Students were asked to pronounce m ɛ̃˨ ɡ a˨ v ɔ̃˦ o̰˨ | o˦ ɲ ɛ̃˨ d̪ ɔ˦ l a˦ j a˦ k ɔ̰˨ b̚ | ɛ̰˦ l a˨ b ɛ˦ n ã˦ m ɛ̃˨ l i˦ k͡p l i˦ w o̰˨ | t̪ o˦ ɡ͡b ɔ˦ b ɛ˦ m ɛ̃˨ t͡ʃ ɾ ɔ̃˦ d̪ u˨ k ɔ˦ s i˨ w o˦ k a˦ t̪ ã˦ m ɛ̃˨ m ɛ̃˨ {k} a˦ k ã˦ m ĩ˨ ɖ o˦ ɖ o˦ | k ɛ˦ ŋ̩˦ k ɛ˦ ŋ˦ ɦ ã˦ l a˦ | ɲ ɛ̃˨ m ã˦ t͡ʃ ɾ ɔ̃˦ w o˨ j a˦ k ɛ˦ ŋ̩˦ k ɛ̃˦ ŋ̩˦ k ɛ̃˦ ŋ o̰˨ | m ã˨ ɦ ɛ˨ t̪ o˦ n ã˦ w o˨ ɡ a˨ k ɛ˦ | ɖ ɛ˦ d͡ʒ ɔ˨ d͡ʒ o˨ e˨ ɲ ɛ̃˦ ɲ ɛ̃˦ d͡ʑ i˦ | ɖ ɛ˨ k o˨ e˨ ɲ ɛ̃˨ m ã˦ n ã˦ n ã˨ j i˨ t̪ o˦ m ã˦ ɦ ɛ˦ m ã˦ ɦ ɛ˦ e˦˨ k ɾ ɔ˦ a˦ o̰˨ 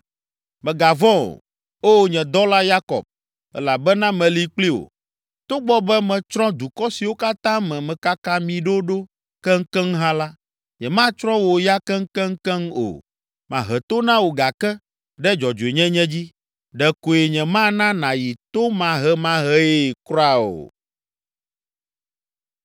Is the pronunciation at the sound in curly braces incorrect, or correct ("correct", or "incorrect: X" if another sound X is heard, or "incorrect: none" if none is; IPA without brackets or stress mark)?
correct